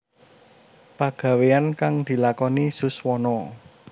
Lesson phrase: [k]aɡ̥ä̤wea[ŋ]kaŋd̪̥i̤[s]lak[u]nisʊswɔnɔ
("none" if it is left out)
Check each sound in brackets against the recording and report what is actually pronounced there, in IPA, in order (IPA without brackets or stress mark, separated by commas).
p, n, none, ɔ